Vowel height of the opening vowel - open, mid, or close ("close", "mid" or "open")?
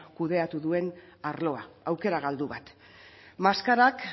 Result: close